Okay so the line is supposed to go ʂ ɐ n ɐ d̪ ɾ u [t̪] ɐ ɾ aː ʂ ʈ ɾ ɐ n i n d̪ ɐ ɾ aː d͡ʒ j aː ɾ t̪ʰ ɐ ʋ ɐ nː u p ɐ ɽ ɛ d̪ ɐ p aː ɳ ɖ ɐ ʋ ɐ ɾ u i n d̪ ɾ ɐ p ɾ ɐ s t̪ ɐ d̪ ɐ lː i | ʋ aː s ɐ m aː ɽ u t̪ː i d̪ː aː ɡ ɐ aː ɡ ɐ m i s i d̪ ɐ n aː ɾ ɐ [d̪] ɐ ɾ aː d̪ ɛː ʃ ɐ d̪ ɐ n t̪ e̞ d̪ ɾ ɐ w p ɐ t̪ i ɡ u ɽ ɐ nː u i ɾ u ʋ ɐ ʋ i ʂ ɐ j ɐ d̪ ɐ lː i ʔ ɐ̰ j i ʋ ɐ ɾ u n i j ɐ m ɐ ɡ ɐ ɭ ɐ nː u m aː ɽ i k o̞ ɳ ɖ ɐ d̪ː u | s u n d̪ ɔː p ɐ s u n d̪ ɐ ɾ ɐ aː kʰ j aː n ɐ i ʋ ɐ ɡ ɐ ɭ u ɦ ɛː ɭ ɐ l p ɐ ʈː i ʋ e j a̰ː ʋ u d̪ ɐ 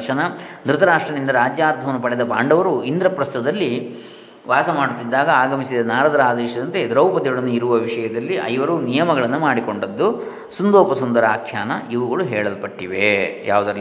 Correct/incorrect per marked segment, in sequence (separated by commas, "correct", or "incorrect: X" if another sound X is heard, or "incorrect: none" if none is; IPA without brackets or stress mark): correct, correct